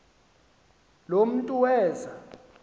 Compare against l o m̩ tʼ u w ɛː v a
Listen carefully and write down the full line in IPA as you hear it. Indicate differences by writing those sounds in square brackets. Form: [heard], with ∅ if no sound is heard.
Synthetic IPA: l o m̩ tʼ u w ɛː [z] a